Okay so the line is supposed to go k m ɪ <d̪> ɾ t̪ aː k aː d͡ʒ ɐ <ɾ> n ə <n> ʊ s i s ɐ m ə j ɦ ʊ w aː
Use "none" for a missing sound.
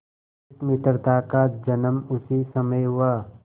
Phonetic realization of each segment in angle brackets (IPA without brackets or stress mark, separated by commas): t̪, none, m